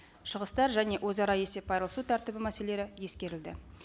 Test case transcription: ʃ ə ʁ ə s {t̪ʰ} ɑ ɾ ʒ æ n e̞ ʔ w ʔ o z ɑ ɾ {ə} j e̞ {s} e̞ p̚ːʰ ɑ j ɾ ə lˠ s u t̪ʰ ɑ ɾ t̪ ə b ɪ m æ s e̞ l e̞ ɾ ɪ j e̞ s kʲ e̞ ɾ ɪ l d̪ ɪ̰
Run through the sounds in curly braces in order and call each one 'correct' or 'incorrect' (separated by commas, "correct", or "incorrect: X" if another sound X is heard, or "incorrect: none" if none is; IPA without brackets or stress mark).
incorrect: t̪, incorrect: ɑ, correct